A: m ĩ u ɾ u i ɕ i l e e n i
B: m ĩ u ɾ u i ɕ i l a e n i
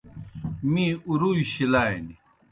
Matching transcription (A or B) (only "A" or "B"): B